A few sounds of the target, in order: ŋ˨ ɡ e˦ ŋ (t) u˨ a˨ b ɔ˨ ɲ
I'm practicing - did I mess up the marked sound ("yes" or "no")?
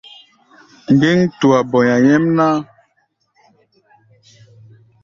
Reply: no